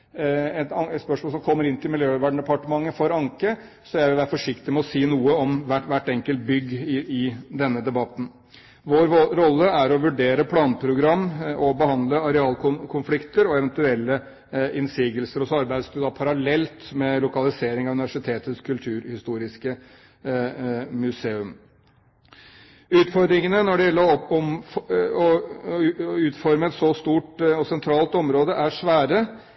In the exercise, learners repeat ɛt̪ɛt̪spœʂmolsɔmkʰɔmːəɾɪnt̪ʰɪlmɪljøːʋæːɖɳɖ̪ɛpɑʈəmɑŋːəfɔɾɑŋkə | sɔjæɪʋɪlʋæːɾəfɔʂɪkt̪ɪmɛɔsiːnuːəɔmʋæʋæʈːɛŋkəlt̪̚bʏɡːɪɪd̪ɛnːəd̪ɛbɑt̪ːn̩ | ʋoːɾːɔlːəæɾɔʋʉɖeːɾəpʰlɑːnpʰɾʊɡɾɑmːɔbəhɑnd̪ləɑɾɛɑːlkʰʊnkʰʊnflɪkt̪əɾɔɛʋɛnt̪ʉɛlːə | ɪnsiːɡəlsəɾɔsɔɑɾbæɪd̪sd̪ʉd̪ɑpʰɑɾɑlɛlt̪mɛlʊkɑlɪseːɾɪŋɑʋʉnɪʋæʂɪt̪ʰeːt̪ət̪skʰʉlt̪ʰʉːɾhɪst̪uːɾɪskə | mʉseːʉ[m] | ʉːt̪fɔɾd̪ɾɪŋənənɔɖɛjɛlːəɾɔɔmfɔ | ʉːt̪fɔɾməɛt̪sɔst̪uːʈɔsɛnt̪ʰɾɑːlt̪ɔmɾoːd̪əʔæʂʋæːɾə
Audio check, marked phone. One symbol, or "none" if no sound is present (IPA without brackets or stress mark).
m